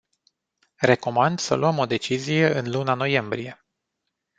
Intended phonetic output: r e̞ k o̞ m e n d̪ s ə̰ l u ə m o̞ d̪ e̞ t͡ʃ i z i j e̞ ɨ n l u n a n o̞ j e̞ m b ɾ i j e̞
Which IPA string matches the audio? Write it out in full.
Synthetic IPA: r e̞ k o̞ m a n d̪ s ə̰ l u ə m o̞ d̪ e̞ t͡ʃ i z i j e̞ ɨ n l u n a n o̞ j e̞ m b ɾ i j e̞